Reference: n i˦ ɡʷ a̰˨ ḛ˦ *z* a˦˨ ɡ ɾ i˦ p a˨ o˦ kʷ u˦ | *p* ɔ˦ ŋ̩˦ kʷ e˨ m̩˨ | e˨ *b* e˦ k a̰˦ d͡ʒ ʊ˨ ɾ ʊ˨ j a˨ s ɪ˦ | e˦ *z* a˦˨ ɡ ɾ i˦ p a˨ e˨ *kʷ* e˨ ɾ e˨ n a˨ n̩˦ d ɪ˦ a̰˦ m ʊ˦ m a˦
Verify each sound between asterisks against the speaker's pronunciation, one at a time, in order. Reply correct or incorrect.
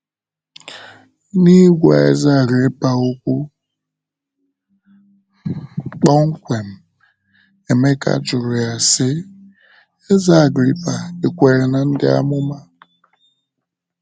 correct, incorrect, incorrect, correct, correct

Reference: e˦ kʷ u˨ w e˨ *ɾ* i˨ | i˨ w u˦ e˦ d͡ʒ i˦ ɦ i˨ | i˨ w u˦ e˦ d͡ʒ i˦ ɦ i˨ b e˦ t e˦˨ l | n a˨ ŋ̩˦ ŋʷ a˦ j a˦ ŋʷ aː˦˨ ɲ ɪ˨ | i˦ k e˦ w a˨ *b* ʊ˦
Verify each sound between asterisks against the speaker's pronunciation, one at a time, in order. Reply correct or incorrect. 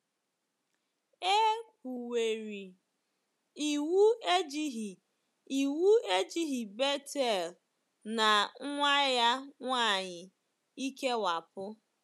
correct, incorrect

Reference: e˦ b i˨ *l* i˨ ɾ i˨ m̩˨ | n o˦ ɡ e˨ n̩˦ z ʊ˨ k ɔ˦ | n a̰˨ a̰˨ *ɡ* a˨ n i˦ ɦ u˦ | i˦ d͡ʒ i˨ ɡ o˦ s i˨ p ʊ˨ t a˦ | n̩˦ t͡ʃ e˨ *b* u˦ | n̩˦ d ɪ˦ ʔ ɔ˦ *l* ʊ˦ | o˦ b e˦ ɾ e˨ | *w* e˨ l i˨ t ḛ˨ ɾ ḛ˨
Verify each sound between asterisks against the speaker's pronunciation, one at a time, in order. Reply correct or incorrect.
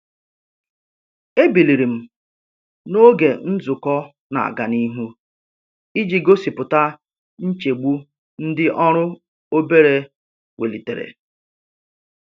correct, correct, incorrect, incorrect, correct

